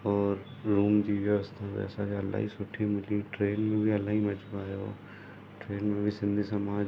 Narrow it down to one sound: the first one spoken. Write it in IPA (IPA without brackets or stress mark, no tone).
ɔː